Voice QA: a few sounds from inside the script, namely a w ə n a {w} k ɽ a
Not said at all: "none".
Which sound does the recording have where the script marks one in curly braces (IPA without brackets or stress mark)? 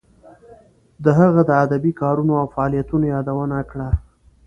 none